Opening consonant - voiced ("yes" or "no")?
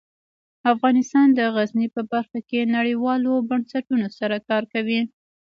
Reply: no